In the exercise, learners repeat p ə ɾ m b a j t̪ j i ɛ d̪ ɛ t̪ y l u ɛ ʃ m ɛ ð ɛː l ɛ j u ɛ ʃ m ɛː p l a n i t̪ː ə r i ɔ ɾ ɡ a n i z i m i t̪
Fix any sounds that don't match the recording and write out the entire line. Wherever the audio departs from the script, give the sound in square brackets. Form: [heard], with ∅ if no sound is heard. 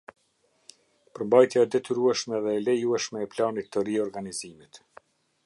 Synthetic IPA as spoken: p ə ɾ m b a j t̪ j [a] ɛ d̪ ɛ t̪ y [ɾ] u ɛ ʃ m ɛ ð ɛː l ɛ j u ɛ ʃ m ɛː p l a n i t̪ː ə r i ɔ ɾ ɡ a n i z i m i t̪